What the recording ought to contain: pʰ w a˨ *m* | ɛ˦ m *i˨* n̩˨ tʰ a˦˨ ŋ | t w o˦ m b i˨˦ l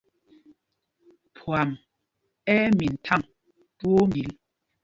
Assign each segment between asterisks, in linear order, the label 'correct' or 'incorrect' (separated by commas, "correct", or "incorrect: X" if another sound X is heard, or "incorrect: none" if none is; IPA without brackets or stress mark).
correct, correct